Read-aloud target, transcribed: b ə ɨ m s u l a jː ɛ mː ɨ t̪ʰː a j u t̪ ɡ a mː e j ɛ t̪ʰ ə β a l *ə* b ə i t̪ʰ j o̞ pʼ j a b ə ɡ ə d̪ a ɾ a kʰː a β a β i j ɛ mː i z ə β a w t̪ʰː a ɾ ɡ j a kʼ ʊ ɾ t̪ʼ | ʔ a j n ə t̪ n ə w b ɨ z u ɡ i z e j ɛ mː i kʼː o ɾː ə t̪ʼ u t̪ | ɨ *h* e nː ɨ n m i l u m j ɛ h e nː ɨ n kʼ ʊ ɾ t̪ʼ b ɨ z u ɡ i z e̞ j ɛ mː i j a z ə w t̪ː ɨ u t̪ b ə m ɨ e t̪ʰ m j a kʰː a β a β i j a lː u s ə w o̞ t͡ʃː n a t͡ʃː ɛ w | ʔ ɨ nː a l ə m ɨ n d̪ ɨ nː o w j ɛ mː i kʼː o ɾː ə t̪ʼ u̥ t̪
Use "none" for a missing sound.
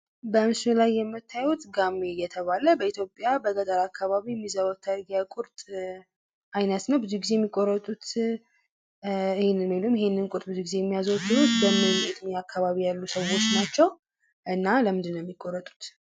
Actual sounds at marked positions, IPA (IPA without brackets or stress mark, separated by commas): ə, h